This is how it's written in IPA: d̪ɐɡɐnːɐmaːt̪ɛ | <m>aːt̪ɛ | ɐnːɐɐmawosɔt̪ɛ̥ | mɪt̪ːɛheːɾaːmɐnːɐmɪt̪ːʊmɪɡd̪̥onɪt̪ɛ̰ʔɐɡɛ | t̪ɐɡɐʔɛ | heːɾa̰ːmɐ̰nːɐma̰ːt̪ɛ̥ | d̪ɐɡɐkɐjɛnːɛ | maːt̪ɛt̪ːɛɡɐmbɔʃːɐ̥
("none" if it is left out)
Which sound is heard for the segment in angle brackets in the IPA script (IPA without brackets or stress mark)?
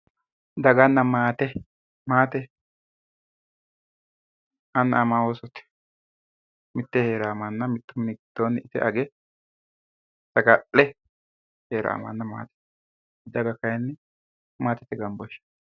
m